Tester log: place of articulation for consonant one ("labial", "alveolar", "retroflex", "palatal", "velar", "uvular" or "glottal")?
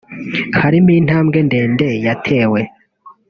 glottal